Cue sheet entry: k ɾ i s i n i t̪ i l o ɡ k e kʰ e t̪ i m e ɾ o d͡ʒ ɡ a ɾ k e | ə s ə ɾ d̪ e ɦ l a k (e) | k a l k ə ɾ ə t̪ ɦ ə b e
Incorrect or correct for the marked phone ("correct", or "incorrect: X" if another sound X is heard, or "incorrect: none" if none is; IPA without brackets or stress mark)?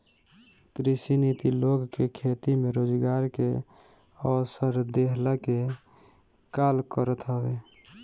correct